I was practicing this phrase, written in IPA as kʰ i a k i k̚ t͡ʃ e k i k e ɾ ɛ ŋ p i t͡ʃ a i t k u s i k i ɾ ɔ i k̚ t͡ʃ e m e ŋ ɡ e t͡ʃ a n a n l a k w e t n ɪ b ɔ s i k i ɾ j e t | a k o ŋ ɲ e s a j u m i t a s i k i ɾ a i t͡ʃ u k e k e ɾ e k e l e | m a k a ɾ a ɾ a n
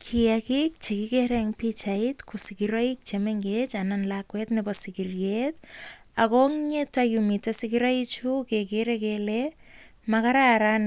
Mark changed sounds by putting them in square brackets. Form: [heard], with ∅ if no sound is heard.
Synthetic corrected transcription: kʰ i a k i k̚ t͡ʃ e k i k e ɾ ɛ ŋ p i t͡ʃ a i t k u s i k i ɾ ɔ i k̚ t͡ʃ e m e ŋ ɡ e t͡ʃ a n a n l a k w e t n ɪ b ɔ s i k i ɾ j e t | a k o ŋ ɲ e [t] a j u m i t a s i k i ɾ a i t͡ʃ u k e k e ɾ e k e l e | m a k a ɾ a ɾ a n